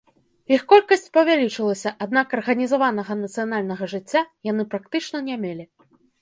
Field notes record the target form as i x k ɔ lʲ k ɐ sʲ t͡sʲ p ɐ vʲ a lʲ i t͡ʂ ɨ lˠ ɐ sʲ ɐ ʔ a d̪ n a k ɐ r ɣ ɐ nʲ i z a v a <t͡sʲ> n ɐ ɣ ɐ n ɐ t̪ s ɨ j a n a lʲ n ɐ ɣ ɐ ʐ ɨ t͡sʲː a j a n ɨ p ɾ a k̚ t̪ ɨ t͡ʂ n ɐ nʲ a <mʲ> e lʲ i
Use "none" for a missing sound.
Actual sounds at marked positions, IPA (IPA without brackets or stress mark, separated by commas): none, mʲ